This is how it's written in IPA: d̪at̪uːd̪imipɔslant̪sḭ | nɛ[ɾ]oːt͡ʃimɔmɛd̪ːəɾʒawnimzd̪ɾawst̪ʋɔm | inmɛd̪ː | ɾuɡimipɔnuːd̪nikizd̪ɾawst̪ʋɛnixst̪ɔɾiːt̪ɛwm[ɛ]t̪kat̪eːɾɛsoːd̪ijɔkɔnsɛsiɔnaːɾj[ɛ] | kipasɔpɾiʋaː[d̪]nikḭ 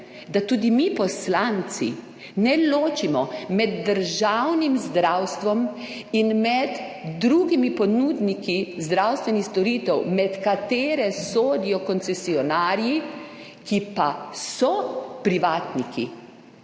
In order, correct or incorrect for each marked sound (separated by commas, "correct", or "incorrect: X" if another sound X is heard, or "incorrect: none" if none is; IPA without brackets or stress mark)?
incorrect: l, correct, incorrect: i, incorrect: t̪